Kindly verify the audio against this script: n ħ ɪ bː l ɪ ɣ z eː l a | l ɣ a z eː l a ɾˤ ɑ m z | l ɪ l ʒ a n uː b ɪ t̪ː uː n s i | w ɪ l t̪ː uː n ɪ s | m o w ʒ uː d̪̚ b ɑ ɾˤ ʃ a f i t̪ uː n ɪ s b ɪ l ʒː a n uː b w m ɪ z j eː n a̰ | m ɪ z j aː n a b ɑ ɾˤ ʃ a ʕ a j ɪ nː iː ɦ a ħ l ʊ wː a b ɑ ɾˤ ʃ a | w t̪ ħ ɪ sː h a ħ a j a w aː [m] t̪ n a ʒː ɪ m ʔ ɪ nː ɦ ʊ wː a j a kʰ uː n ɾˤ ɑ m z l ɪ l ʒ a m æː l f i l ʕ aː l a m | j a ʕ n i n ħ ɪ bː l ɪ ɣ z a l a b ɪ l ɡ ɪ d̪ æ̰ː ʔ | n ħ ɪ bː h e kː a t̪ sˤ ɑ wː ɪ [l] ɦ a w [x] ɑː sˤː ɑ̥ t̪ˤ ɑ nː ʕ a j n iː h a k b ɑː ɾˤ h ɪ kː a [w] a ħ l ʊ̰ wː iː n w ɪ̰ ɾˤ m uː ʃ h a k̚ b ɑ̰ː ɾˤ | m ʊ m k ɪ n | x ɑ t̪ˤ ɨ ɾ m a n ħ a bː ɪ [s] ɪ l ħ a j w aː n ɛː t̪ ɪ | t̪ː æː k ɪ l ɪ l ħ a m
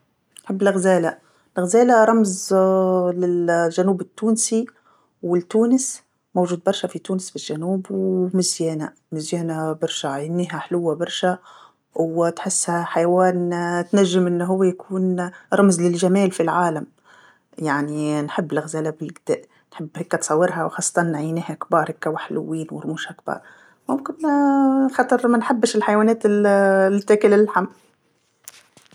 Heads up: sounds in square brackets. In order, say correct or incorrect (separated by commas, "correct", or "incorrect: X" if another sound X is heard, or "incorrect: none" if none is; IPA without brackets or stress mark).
incorrect: n, incorrect: ɾ, correct, correct, incorrect: ʃ